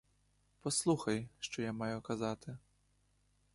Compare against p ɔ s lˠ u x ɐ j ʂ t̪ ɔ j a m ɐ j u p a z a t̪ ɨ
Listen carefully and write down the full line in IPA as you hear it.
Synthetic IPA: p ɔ s lˠ u x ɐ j ʂ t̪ ɔ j a m a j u k a z a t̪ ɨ